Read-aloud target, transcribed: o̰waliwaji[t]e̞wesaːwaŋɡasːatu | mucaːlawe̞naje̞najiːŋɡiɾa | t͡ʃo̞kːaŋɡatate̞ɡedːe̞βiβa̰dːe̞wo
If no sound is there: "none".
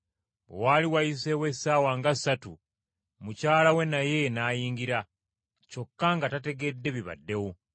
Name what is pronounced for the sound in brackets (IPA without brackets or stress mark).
s